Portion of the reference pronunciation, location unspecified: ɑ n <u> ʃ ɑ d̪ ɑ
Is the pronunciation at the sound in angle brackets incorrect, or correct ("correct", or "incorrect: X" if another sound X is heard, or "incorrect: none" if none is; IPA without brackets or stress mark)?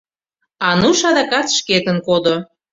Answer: correct